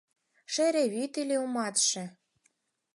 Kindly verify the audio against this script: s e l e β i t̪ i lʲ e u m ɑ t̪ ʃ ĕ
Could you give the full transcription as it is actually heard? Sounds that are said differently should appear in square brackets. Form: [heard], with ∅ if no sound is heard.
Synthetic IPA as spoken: [ʃ] e [ɾ] e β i t̪ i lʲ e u m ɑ t̪ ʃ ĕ